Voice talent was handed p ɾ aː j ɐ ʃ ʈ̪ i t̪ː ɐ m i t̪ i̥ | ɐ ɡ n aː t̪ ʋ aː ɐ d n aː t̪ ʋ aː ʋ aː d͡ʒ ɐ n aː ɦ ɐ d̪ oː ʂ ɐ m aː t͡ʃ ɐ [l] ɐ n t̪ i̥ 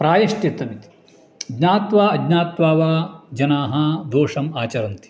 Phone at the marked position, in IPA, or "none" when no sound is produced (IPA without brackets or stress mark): ɾ